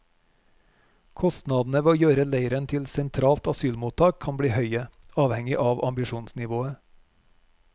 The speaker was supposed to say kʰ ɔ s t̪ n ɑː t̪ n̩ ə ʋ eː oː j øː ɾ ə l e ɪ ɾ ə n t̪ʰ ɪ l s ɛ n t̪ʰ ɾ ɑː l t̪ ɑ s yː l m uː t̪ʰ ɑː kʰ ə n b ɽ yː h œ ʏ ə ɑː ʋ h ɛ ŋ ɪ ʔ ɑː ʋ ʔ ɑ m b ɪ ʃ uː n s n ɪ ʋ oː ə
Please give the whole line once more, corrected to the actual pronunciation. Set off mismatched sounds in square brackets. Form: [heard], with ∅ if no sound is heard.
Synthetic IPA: kʰ ɔ s t̪ n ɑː [d̪] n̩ ə ʋ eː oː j øː ɾ ə l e ɪ ɾ ə n t̪ʰ ɪ l s ɛ n t̪ʰ ɾ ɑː l t̪ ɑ s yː l m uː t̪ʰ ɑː kʰ [ɑ] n b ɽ [iː] h œ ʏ ə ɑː ʋ h ɛ ŋ ɪ ʔ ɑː ʋ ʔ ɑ m b ɪ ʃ uː n s n ɪ ʋ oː ə